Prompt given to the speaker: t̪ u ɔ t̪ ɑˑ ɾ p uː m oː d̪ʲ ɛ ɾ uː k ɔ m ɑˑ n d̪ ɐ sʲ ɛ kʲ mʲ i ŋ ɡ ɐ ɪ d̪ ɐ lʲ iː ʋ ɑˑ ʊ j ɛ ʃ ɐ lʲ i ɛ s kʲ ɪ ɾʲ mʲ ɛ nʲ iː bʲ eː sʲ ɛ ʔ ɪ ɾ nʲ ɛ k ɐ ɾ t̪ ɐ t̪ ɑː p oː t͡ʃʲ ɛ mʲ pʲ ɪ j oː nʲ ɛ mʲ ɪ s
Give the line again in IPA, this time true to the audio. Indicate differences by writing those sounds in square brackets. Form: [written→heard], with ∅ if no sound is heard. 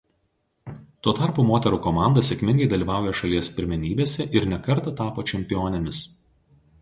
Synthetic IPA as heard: t̪ u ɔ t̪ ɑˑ ɾ p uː m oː [d̪ʲ→t̪ʲ] ɛ ɾ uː k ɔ m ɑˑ n d̪ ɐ sʲ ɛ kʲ mʲ [i→ɪ] ŋ ɡ ɐ ɪ d̪ ɐ lʲ iː ʋ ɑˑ ʊ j ɛ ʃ ɐ lʲ i ɛ s [kʲ→pʲ] ɪ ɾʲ mʲ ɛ nʲ iː bʲ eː sʲ ɛ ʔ ɪ ɾ nʲ ɛ k ɐ ɾ t̪ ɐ t̪ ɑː p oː t͡ʃʲ ɛ mʲ pʲ ɪ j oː nʲ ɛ mʲ ɪ s